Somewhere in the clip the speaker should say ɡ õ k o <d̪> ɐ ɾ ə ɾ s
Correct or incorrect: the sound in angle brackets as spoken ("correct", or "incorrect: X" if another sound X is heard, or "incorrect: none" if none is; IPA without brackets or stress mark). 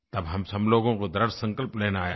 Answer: correct